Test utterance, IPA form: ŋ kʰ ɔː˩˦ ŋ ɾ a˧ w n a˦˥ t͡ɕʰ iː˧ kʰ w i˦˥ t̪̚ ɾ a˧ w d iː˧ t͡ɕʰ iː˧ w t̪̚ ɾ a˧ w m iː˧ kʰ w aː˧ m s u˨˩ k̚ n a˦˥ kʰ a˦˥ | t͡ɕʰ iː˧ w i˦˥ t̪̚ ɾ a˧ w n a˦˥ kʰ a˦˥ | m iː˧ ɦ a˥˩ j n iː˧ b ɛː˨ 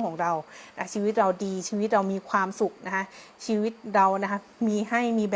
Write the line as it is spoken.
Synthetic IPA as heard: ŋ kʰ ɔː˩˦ ŋ ɾ a˧ w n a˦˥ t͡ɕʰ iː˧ w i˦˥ t̪̚ ɾ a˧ w d iː˧ t͡ɕʰ iː˧ w t̪̚ ɾ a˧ w m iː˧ kʰ w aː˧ m s u˨˩ k̚ n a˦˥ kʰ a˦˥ | t͡ɕʰ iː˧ w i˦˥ t̪̚ ɾ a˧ w n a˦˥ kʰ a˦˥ | m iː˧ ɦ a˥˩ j m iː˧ b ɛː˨